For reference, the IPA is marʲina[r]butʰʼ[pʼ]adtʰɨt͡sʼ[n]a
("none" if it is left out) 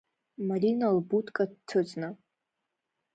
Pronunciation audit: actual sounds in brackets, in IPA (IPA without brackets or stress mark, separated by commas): l, kʼ, n